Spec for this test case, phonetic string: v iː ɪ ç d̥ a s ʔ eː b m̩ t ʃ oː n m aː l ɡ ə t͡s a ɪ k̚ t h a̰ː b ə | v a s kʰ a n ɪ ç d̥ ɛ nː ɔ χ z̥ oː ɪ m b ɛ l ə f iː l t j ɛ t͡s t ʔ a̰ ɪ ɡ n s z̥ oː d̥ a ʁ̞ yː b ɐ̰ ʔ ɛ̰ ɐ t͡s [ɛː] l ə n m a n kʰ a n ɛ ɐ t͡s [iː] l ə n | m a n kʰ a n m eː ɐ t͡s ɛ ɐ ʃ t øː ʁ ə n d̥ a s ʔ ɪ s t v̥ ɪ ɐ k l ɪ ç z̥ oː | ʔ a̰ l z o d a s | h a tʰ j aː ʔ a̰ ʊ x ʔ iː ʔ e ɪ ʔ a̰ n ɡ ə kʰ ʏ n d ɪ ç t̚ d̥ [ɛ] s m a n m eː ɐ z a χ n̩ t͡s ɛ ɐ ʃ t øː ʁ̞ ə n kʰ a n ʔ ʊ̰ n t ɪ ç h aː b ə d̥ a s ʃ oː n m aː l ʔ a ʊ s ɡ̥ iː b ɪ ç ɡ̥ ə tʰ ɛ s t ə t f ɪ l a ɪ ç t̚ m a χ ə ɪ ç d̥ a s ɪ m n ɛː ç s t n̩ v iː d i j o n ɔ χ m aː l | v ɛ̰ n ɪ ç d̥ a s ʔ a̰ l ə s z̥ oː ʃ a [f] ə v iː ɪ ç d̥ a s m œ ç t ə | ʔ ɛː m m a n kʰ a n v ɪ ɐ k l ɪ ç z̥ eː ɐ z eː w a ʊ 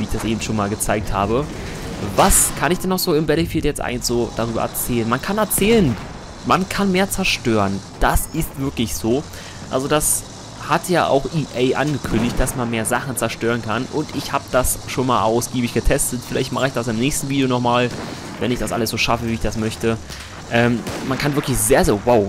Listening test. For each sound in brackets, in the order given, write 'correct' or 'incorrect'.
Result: correct, incorrect, incorrect, correct

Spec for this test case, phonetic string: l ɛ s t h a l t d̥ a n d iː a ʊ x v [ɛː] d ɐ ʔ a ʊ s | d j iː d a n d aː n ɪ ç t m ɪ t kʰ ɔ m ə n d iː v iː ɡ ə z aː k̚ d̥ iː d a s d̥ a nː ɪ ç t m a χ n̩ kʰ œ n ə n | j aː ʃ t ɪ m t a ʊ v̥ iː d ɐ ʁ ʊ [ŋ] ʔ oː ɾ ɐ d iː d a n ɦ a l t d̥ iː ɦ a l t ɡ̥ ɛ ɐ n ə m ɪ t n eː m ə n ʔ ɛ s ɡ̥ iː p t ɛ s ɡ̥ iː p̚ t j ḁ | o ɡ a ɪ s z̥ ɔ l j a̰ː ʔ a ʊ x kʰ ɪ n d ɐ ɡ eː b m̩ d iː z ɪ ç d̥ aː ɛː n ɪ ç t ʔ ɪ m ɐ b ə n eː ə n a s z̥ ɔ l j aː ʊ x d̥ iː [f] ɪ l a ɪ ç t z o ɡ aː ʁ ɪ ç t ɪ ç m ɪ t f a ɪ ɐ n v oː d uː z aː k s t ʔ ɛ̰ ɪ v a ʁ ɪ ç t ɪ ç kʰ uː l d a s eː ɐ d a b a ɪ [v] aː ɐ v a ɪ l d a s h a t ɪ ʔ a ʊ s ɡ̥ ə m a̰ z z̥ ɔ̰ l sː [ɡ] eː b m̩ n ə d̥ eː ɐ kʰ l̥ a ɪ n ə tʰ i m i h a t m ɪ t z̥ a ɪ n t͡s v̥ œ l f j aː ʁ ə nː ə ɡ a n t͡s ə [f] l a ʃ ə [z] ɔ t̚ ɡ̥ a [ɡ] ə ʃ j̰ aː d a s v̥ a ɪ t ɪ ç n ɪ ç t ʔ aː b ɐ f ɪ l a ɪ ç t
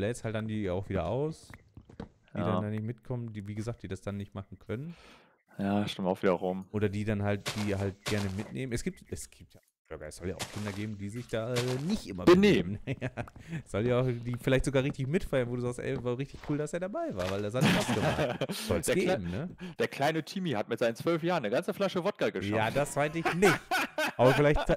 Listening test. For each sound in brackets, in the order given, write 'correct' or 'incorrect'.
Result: incorrect, incorrect, correct, correct, correct, correct, incorrect, correct

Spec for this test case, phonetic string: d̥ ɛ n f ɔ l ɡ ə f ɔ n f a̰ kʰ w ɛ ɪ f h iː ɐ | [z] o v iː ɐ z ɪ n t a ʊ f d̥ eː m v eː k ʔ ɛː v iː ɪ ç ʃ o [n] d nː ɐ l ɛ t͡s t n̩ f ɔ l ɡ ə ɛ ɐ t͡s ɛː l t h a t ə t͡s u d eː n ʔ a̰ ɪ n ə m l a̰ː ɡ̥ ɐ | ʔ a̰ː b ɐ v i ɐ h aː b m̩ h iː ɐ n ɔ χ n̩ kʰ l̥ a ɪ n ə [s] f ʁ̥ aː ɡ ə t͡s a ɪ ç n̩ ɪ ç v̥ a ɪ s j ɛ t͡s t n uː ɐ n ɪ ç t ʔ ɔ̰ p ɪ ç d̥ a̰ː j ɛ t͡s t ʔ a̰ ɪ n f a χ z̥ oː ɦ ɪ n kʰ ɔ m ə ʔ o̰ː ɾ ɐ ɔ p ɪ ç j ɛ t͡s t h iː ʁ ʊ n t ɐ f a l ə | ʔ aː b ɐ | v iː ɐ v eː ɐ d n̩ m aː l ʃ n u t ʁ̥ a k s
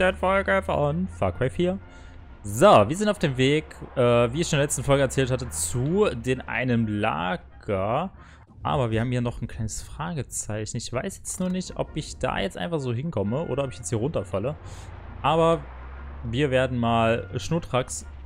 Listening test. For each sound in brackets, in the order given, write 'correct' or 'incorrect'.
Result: correct, correct, correct

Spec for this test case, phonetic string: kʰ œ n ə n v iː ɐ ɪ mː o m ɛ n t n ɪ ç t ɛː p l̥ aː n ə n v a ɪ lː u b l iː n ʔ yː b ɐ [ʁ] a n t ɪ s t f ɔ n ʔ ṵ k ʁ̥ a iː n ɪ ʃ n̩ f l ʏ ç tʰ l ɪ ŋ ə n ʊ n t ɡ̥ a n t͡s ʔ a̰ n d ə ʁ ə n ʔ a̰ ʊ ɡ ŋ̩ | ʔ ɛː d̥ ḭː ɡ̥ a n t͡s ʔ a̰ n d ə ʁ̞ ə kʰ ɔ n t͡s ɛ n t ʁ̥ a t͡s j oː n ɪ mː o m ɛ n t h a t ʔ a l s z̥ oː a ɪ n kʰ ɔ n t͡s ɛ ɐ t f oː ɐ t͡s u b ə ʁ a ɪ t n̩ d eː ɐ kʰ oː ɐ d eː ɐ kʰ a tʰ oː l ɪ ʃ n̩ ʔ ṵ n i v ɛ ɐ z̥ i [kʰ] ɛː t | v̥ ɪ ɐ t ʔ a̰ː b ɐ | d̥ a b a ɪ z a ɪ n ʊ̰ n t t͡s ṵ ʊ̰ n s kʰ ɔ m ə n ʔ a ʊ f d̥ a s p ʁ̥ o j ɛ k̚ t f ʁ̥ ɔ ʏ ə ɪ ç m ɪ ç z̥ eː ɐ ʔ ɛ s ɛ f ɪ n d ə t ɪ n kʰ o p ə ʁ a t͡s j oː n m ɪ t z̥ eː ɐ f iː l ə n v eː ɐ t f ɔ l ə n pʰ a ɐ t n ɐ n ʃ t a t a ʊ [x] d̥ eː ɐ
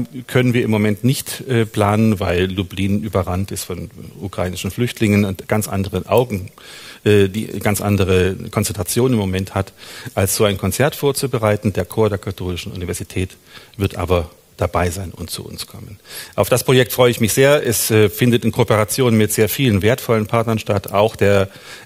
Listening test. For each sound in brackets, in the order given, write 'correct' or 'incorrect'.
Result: correct, incorrect, correct

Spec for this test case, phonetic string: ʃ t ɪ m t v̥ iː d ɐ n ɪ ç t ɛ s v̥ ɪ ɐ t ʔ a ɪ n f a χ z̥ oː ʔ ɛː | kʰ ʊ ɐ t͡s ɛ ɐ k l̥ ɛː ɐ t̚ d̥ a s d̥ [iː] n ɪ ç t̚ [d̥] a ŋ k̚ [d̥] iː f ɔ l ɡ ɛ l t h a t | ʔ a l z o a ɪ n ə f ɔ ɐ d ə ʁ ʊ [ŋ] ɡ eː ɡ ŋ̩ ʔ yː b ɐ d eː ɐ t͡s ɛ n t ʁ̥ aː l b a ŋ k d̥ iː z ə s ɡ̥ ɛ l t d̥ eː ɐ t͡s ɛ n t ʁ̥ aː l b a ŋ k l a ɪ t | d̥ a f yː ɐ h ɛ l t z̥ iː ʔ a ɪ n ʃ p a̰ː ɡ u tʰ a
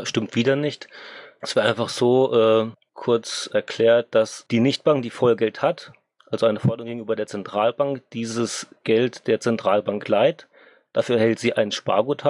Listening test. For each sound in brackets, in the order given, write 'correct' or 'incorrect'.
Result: correct, incorrect, correct, correct

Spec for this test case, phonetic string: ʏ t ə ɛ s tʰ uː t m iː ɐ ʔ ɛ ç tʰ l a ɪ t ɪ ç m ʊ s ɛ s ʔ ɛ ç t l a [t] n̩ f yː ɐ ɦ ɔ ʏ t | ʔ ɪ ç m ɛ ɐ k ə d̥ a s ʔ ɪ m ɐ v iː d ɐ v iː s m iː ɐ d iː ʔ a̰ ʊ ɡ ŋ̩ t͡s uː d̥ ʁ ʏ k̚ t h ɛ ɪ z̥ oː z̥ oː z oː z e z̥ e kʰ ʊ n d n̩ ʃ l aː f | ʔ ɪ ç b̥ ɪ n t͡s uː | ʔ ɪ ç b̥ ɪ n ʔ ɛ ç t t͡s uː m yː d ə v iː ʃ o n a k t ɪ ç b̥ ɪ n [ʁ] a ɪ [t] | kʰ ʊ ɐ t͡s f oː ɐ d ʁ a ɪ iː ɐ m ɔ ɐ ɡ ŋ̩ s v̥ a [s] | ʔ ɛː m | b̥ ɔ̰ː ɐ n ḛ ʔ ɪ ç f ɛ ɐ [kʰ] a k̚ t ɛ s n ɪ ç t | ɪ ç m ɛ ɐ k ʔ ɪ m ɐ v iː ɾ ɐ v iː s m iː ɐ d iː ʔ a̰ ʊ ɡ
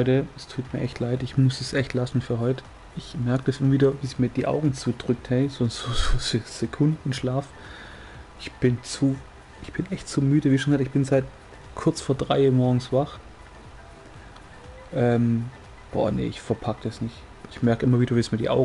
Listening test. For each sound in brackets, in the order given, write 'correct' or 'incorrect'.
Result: incorrect, incorrect, correct, incorrect, incorrect

